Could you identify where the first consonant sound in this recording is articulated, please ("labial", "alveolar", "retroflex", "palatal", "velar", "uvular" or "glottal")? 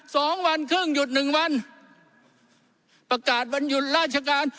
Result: alveolar